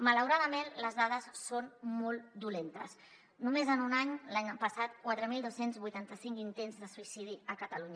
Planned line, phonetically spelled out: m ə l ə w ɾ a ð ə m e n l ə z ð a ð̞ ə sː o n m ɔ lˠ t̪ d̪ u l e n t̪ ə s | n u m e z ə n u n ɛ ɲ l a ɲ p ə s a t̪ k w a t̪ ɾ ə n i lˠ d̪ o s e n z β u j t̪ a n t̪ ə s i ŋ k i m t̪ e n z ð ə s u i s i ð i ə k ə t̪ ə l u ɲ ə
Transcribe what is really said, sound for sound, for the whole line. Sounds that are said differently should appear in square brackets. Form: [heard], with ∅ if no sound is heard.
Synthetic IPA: m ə l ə w ɾ a ð ə m e n l ə z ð a ð̞ ə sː o n m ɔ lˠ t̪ d̪ u l e n t̪ ə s | n u m e z ə n u n [a] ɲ l a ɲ p ə s a t̪ k w a t̪ ɾ ə [m] i lˠ d̪ o s e n z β u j t̪ a n t̪ ə s i ŋ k i [n] t̪ e n z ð ə s u i s i ð i ə k ə t̪ ə l u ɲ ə